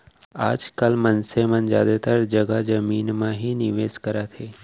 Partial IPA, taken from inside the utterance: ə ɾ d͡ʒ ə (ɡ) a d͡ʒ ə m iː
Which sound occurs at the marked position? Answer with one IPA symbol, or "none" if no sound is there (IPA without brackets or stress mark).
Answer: ɡ